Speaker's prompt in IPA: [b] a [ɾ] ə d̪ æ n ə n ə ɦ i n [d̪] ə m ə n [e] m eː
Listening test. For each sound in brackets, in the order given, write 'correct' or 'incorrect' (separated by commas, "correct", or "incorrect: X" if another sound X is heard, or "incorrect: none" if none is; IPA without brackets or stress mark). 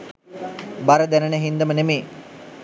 correct, correct, correct, correct